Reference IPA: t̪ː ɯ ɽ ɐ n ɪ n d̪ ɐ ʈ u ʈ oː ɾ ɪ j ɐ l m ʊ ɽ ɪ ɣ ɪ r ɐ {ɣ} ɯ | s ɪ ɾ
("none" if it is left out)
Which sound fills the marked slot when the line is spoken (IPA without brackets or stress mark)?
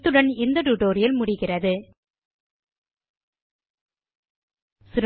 ð